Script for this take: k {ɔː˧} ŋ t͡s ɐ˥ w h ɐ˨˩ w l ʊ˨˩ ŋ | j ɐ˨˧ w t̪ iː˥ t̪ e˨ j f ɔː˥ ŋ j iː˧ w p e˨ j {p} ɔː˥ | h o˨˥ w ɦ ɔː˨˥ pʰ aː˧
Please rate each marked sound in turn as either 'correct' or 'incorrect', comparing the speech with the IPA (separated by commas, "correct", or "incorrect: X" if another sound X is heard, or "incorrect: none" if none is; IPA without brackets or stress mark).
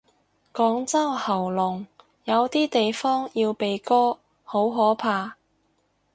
incorrect: ɔː˨˥, incorrect: k